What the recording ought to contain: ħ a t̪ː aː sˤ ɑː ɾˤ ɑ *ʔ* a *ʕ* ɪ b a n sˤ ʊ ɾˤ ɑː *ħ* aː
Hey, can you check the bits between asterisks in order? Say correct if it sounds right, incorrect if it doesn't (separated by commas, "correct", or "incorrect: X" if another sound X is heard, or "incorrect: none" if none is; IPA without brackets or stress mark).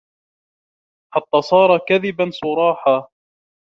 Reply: incorrect: k, incorrect: ð, correct